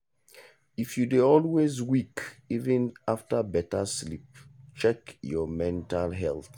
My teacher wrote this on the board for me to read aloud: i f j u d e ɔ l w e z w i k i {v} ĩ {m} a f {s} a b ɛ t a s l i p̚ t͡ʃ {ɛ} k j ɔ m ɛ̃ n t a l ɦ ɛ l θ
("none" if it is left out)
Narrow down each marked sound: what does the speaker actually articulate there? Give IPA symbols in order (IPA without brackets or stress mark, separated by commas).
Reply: v, n, t, ɛ